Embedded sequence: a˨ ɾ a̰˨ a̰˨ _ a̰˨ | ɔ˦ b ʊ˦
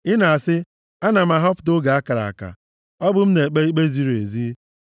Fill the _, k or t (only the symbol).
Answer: k